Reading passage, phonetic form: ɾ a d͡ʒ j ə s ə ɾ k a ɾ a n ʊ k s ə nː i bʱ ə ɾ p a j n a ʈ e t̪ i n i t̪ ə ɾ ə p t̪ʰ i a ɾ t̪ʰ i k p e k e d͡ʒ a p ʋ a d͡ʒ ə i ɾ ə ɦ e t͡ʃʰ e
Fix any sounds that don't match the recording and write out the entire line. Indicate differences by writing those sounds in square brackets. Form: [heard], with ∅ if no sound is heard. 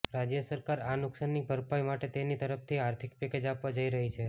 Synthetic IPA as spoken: ɾ a d͡ʒ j ə s ə ɾ k a ɾ a n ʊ k s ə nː i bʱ ə ɾ p a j [m] a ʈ e t̪ [e] n i t̪ ə ɾ ə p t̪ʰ i a ɾ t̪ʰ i k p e k e d͡ʒ a p ʋ a d͡ʒ ə i ɾ ə ɦ [i] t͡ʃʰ e